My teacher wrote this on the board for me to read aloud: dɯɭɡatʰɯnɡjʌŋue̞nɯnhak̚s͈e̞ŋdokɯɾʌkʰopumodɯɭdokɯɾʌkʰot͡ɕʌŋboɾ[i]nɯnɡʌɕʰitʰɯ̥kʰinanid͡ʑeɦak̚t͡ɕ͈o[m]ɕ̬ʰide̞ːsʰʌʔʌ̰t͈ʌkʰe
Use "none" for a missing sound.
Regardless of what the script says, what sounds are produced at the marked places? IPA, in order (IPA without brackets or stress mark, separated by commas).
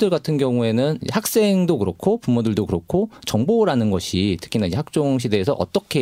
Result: a, ŋ